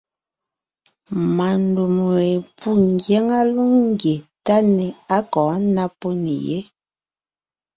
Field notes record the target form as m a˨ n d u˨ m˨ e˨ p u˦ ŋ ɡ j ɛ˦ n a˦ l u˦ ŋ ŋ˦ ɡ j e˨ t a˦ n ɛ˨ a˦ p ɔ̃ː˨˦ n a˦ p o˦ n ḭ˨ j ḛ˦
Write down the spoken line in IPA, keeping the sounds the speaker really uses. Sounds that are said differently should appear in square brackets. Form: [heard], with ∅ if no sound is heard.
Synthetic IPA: m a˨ n d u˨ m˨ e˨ p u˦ ŋ ɡ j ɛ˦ [ŋ] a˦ l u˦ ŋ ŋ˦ ɡ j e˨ t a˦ n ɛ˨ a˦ [k] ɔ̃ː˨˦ n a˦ p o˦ n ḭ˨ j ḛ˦